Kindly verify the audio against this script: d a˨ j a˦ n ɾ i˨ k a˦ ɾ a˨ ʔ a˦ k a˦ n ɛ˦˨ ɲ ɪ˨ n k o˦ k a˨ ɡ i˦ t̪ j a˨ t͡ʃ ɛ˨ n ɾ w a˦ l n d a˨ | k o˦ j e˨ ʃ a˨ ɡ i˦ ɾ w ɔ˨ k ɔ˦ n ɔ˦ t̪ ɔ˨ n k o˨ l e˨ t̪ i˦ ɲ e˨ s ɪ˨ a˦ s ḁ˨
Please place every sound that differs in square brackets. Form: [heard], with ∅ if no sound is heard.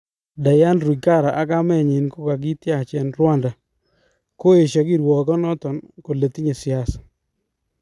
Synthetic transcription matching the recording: d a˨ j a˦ n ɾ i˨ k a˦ ɾ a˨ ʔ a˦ k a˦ [m] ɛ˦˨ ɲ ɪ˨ n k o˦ k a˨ ɡ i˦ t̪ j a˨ t͡ʃ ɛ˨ n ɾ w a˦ [∅] n d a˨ | k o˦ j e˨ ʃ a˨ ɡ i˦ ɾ w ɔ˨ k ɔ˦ n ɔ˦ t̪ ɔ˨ n k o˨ l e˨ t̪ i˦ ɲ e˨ s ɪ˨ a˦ s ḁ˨